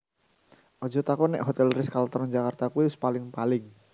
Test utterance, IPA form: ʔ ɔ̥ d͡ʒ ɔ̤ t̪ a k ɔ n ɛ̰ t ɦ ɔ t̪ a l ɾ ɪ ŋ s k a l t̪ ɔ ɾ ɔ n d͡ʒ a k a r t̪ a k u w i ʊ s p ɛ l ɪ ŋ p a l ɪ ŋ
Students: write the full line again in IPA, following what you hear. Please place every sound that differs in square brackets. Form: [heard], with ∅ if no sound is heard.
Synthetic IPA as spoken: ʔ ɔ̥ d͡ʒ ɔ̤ t̪ a k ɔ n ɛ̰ [ʔ] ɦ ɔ t̪ [ɛ] l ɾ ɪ [∅] s k a l t̪ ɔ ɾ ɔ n d͡ʒ a k a r t̪ a k u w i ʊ s p [a] l ɪ ŋ p a l ɪ ŋ

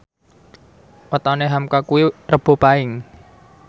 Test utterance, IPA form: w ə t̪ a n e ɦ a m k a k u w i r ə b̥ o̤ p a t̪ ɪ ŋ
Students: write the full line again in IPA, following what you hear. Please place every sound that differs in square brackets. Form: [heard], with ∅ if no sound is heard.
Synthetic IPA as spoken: w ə t̪ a n e ɦ a m k a k u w i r ə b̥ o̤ p a [∅] ɪ ŋ

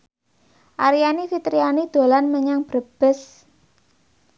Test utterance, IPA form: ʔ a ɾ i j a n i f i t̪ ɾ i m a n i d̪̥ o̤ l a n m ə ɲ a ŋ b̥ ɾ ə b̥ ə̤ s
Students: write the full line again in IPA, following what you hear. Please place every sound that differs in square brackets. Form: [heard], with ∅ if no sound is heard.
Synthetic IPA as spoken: ʔ a ɾ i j a n i f i t̪ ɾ i [∅] a n i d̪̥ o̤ l a n m ə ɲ a ŋ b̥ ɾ ə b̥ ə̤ s

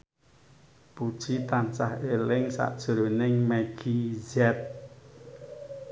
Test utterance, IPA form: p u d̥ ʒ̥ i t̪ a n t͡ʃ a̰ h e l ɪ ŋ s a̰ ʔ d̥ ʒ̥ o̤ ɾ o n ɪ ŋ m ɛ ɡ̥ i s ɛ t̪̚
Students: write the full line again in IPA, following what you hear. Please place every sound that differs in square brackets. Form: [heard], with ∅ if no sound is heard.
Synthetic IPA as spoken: p u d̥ ʒ̥ i t̪ a n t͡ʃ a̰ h e l ɪ ŋ s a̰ ʔ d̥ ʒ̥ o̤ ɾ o n ɪ ŋ m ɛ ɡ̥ i [z] ɛ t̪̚

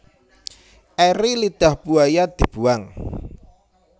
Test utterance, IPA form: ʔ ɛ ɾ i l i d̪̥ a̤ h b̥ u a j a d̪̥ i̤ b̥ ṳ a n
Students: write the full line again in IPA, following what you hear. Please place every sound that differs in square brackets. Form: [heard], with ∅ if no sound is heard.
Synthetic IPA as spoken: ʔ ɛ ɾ i l i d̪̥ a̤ h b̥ u a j a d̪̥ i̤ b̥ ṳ a [ŋ]

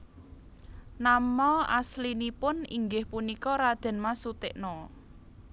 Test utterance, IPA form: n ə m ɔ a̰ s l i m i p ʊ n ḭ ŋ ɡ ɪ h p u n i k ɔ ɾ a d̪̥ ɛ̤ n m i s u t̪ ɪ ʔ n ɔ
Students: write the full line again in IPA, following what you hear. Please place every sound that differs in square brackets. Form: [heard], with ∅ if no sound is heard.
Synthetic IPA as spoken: n [a] m ɔ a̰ s l i [n] i p ʊ n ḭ ŋ ɡ ɪ h p u n i k ɔ ɾ a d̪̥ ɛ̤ n m [a] s u t̪ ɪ ʔ n ɔ

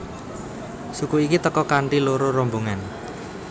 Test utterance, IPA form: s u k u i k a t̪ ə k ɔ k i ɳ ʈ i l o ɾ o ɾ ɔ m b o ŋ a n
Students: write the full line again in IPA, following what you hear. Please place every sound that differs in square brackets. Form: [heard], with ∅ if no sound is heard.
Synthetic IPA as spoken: s u k u i k [i] t̪ ə k ɔ k [a] ɳ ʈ i l o ɾ o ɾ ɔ m b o ŋ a n

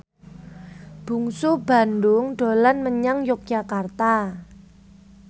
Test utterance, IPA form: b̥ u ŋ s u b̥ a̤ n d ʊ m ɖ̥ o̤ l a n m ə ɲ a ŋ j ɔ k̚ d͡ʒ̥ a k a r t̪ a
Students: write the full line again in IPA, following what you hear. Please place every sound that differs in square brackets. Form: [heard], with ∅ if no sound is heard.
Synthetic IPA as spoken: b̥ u ŋ s u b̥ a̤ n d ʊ [ŋ] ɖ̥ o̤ l a n m ə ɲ a ŋ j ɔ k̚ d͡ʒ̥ a k a r t̪ a

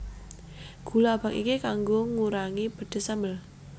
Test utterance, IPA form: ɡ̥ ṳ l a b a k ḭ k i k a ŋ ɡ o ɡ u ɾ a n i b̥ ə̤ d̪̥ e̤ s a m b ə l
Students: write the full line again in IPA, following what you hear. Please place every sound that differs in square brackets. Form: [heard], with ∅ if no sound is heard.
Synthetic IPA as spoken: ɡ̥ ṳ l a b a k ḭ k i k a ŋ ɡ o [ŋ] u ɾ a [ŋ] i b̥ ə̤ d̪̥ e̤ s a m b ə l

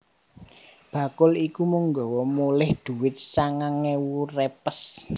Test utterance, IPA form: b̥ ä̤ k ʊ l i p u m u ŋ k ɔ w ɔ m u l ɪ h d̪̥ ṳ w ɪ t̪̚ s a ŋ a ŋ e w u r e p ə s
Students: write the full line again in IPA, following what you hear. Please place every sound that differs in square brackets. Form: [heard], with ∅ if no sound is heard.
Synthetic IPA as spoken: b̥ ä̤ k ʊ l i [k] u m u ŋ [ɡ] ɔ w ɔ m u l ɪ h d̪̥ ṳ w ɪ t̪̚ s a ŋ a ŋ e w u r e p ə s

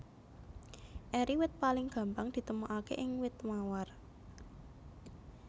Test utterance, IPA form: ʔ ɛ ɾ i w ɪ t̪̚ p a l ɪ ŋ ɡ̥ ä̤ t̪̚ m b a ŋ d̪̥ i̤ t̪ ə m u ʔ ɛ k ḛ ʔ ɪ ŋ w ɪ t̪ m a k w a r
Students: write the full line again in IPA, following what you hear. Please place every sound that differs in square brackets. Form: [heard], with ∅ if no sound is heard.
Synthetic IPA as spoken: ʔ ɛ ɾ i w ɪ t̪̚ p a l ɪ ŋ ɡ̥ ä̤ [∅] m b a ŋ d̪̥ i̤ t̪ ə m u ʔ [a] k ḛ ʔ ɪ ŋ w ɪ t̪ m a [∅] w a r

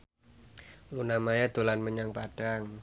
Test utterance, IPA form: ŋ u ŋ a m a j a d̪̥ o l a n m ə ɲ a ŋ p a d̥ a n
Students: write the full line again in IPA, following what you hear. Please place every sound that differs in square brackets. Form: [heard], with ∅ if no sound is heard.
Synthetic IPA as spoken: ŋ u [n] a m a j a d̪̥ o l a n m ə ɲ a ŋ p a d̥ a [ŋ]

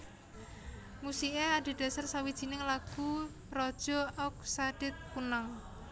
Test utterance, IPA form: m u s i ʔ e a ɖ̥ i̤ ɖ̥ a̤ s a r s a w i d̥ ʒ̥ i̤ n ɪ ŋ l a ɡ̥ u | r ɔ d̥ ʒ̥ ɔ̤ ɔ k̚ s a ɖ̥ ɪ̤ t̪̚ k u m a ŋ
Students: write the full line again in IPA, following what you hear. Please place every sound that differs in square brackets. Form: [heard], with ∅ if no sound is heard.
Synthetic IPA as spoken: m u s i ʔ e a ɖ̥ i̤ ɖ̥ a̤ s a r s a w i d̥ ʒ̥ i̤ n ɪ ŋ l a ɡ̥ u | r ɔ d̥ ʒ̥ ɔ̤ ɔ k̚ s a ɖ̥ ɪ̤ t̪̚ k u [n] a ŋ

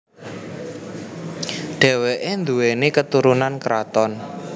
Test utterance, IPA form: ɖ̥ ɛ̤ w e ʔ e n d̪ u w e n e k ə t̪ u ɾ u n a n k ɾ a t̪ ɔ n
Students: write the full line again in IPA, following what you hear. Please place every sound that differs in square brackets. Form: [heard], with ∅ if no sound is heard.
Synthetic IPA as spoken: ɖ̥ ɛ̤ w e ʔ e n d̪ u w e n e k ə t̪ u ɾ u n a n k ɾ a t̪ ɔ n

